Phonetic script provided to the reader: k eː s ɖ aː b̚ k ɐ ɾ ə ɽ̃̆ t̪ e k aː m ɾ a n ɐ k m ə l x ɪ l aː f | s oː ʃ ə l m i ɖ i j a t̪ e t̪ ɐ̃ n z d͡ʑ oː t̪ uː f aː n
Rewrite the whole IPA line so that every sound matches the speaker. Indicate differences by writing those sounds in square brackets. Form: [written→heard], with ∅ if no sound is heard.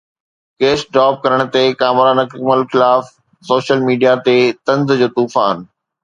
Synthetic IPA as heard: k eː s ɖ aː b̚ k ɐ ɾ ə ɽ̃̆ t̪ e k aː m ɾ a n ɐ k m ə l x ɪ l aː f | s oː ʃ ə l m [i→iː] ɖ i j a t̪ e t̪ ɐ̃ n z d͡ʑ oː t̪ uː f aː n